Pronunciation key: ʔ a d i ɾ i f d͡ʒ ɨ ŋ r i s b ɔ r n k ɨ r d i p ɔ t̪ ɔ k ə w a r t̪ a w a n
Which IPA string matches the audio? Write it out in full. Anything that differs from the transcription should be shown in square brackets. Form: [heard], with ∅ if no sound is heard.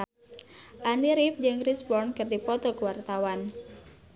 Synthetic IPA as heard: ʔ a [n] i ɾ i f d͡ʒ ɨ ŋ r i s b ɔ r n k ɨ r d i p ɔ t̪ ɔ k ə w a r t̪ a w a n